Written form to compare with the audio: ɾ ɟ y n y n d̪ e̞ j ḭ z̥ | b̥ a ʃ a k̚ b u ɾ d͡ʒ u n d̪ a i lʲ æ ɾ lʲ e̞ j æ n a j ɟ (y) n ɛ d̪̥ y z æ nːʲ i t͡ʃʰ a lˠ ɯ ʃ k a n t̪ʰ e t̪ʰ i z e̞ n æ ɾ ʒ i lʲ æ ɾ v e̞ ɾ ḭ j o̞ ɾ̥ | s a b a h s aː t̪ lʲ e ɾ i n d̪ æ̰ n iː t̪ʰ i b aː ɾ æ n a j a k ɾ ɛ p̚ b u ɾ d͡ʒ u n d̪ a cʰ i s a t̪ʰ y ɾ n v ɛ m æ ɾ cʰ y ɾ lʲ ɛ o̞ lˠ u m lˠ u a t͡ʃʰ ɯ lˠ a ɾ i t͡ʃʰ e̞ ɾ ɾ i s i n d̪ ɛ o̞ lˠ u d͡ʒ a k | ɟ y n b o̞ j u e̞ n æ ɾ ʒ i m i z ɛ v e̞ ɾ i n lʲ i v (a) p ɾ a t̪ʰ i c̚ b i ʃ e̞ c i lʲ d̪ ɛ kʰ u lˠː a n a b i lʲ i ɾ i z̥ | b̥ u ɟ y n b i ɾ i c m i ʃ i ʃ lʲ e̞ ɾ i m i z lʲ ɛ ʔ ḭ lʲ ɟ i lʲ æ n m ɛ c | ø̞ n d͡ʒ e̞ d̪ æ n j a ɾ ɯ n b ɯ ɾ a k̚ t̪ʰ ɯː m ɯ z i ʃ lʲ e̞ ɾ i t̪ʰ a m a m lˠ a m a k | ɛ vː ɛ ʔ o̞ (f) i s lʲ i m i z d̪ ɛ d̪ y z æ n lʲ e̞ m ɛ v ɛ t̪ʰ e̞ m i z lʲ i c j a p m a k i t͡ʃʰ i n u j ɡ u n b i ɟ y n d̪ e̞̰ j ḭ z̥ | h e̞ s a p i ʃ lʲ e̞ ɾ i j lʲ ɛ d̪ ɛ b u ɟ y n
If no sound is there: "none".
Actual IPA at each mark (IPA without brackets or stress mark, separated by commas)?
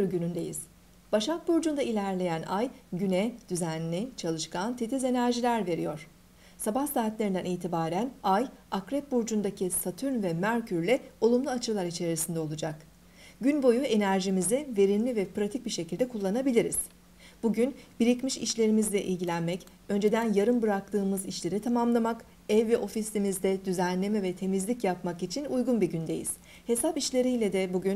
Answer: y, ɛ, f